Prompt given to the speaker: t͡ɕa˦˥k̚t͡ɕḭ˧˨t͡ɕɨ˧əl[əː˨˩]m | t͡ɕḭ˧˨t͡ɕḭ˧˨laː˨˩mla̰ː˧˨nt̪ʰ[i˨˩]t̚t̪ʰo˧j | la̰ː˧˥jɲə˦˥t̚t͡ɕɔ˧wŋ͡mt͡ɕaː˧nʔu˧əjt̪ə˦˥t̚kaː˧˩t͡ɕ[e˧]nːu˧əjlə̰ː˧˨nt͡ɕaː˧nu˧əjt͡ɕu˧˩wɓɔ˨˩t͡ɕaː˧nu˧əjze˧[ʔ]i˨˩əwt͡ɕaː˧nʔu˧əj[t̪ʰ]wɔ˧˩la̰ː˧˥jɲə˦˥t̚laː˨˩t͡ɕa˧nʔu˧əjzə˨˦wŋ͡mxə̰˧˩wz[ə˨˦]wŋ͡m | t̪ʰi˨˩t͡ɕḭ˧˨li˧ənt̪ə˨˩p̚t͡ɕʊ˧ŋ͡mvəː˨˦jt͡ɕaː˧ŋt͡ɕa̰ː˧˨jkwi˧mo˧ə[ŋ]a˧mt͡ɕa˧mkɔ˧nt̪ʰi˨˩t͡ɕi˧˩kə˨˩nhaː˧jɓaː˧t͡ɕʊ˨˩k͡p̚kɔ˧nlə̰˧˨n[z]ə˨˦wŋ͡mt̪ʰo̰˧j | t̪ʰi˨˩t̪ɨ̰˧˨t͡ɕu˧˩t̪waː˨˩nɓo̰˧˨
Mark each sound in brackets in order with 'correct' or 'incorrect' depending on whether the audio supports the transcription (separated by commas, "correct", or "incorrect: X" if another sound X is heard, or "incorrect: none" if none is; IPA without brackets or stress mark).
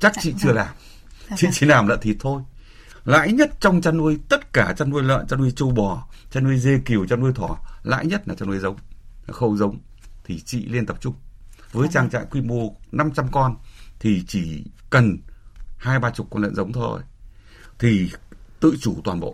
incorrect: aː˨˩, correct, incorrect: a˧, incorrect: k, correct, correct, incorrect: n, correct